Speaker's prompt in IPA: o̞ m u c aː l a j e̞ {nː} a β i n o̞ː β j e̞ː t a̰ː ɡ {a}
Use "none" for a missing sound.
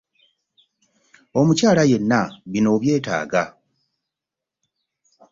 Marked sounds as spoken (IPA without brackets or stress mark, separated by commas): nː, a